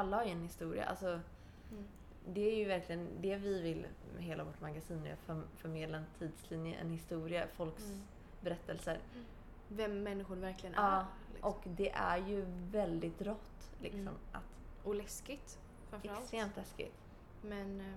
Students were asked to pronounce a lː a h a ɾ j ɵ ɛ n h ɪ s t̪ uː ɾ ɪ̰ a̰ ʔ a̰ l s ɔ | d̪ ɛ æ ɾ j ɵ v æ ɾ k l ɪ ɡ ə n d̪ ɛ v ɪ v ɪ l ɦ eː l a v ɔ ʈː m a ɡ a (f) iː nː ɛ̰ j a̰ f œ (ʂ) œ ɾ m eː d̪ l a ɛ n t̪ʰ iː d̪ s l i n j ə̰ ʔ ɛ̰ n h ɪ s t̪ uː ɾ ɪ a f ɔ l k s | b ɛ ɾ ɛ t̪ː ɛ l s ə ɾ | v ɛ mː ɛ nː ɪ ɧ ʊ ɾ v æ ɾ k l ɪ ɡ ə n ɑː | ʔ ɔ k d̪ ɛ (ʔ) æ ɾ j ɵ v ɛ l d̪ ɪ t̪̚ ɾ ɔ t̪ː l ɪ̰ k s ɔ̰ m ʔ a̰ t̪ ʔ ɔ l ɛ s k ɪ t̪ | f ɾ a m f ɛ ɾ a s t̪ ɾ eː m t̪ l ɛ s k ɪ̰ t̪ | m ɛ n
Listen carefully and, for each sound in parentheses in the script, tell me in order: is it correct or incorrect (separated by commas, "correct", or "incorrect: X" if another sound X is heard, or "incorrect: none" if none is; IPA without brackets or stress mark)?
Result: incorrect: s, incorrect: f, correct